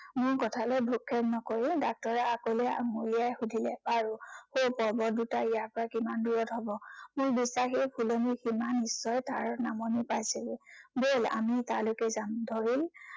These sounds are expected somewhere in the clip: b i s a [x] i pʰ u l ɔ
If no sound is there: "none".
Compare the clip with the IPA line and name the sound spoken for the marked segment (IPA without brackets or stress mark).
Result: x